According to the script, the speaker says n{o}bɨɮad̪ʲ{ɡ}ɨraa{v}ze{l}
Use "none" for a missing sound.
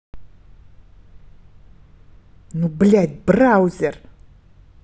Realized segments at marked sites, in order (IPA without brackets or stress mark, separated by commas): u, b, w, r